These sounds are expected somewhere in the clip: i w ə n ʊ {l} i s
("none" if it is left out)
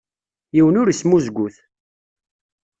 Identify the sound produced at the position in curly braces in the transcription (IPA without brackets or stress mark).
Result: ɾ